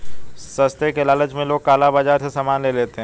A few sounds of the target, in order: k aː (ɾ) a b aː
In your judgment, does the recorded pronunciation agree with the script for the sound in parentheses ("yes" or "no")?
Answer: no